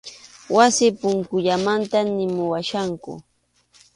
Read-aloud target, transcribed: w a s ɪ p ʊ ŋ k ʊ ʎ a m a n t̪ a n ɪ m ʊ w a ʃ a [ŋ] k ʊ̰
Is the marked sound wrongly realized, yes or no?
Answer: no